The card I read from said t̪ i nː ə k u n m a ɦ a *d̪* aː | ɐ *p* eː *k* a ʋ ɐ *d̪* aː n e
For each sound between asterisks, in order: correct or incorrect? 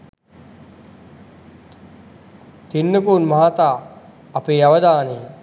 incorrect: t̪, correct, incorrect: none, correct

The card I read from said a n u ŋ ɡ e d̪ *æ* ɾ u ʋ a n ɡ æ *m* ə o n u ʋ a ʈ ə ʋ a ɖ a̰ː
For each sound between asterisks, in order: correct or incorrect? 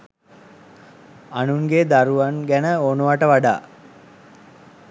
incorrect: a, incorrect: n

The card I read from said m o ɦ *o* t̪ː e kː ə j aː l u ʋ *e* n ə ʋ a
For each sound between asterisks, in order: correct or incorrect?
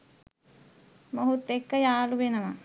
incorrect: u, correct

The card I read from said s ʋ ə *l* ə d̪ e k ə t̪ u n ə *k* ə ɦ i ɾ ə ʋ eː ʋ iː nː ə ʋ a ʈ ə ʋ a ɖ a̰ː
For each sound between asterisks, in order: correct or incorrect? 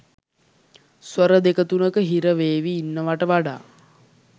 incorrect: ɾ, correct

